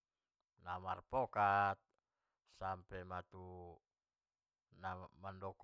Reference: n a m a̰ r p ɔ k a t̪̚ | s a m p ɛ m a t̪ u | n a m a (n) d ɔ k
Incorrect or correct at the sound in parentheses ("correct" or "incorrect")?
correct